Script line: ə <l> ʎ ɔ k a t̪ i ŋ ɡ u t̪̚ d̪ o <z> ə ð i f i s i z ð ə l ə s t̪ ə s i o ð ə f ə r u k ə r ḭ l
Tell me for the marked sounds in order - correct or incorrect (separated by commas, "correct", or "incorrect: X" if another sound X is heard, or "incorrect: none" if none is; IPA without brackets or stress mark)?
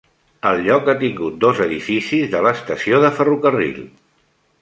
correct, correct